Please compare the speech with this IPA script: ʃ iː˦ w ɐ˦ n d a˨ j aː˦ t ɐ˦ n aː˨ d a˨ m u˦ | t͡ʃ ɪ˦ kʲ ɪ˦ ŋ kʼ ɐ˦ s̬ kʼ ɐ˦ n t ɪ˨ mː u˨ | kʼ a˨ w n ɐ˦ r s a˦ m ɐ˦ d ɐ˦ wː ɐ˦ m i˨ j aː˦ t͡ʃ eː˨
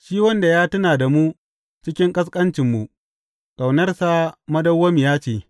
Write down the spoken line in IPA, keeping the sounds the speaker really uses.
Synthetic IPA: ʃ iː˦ w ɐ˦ n d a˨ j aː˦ t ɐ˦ n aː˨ d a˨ m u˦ | t͡ʃ ɪ˦ kʲ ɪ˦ ŋ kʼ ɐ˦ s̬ kʼ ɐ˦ n t͡ʃ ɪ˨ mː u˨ | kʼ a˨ w n ɐ˦ r s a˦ m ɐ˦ d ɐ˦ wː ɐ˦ m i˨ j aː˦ t͡ʃ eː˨